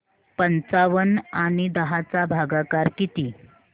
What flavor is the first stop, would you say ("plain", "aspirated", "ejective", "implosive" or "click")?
plain